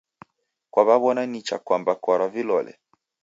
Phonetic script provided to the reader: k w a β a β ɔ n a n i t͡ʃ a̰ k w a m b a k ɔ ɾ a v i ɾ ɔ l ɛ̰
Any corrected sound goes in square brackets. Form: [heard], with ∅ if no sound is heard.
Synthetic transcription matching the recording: k w a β a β ɔ n a n i t͡ʃ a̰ k w a m b a k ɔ ɾ a v i [l] ɔ l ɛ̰